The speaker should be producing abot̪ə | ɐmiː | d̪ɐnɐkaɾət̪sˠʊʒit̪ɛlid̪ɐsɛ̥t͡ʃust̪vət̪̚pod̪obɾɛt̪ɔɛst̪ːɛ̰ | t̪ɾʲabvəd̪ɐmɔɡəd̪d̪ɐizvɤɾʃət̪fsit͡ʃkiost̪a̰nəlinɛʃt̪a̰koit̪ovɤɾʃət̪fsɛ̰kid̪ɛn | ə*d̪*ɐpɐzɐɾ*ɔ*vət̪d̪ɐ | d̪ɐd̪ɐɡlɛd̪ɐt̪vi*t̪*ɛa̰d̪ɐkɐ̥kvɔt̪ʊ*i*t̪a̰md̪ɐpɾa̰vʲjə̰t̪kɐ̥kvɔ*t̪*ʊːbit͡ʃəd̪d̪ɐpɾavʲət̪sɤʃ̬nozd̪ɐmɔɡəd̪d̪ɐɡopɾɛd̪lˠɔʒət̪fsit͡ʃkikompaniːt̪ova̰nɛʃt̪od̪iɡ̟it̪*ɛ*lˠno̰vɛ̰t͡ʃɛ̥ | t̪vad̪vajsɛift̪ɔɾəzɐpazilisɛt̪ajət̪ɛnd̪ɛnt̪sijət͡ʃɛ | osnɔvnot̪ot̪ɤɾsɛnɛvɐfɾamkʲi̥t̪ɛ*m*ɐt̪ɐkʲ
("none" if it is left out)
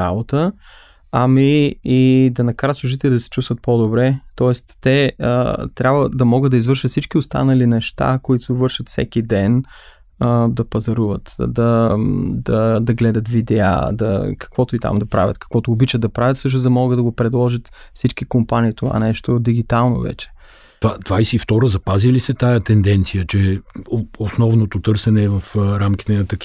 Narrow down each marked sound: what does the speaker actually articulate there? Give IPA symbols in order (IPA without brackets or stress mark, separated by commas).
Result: d̪, u, d̪, i, t̪, a, n